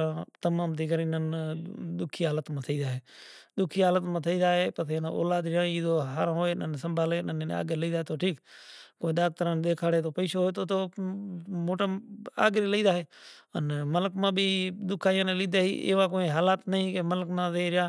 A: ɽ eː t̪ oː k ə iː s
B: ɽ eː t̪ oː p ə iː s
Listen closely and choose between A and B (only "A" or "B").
B